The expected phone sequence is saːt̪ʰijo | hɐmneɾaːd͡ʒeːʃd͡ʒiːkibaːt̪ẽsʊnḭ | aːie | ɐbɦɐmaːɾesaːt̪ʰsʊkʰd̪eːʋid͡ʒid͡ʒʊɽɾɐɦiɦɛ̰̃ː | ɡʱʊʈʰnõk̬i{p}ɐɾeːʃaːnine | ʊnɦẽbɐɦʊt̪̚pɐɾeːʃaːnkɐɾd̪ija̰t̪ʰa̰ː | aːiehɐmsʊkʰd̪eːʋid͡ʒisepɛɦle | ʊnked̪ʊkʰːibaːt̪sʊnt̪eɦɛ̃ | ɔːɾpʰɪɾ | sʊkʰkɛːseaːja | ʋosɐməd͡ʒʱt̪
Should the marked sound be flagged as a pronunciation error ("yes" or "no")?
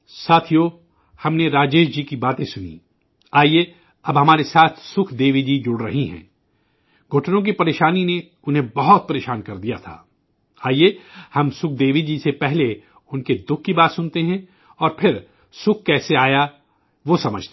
no